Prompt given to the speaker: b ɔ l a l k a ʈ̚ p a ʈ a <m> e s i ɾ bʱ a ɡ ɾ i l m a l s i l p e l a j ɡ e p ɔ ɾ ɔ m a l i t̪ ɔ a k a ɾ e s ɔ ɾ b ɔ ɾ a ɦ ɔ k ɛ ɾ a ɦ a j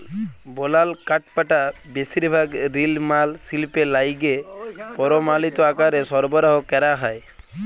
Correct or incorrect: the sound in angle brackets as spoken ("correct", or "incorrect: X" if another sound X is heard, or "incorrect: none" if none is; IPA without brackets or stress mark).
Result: incorrect: b